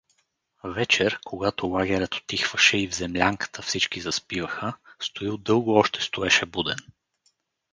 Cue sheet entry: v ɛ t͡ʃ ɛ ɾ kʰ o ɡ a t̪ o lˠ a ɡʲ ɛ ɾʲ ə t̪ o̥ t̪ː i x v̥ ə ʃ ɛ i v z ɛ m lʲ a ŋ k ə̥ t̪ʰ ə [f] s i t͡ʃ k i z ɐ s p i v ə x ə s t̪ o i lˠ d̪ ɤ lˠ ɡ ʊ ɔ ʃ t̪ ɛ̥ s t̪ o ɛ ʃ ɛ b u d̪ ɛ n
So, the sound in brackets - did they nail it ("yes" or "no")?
yes